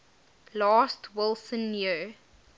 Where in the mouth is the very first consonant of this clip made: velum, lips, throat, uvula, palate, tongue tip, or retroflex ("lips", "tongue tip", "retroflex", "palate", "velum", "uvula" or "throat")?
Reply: tongue tip